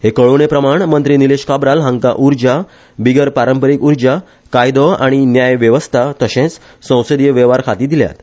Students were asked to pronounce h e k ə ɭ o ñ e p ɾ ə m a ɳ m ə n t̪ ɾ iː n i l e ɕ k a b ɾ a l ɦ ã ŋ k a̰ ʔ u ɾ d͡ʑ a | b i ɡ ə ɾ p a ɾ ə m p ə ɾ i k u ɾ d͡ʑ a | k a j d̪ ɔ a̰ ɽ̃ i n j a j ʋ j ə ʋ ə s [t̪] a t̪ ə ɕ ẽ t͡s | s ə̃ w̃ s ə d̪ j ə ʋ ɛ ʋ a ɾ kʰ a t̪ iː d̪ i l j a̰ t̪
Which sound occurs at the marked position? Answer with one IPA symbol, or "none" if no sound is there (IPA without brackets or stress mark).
t̪ʰ